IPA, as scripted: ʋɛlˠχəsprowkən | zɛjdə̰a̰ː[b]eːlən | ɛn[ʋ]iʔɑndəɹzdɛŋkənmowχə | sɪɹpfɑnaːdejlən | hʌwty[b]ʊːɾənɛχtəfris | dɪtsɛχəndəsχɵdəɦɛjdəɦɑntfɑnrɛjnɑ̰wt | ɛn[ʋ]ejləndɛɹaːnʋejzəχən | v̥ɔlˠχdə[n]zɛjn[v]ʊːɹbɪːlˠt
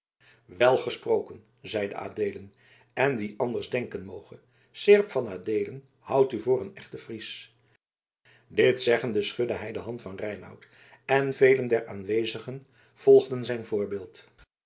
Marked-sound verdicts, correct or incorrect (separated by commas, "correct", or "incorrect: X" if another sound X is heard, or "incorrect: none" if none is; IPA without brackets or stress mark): incorrect: d, correct, incorrect: v, incorrect: v, correct, correct